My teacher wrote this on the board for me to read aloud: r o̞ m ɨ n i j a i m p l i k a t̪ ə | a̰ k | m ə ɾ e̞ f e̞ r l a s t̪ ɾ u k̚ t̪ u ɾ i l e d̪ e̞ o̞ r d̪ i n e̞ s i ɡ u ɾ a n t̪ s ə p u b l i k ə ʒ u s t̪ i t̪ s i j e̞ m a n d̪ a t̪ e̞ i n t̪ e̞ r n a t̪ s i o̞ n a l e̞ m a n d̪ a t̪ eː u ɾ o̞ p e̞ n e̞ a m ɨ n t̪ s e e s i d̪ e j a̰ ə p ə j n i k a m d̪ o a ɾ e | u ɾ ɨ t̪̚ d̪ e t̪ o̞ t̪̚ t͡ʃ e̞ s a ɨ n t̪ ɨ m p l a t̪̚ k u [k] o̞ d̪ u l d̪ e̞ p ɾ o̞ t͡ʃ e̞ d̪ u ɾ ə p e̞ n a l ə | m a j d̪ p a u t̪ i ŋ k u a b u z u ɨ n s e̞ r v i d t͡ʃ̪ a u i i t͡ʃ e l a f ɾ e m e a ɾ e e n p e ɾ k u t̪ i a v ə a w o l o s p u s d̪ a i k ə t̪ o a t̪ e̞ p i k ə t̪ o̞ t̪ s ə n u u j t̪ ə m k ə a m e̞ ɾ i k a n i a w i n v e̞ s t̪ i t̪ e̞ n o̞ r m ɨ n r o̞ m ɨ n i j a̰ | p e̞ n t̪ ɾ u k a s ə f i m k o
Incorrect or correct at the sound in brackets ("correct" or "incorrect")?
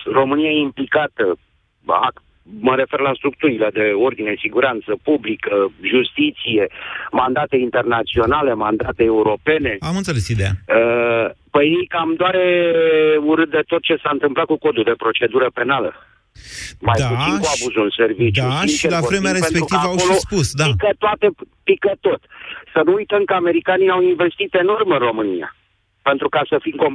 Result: correct